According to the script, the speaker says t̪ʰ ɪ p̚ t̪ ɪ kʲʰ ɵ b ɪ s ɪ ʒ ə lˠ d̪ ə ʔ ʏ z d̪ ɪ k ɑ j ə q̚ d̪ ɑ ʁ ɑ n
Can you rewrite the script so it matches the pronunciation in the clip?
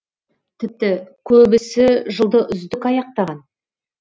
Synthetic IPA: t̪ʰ ɪ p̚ t̪ ɪ kʲʰ ɵ b ɪ s ɪ ʒ ə lˠ d̪ ə ʔ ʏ z d̪ ɪ k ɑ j ɑ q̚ t̪ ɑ ʁ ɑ n